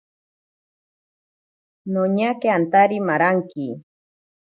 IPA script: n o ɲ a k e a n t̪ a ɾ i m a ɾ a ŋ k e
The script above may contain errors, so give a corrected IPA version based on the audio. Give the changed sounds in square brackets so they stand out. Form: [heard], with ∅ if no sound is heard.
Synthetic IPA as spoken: n o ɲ a k e a n t̪ a ɾ i m a ɾ a ŋ k [i]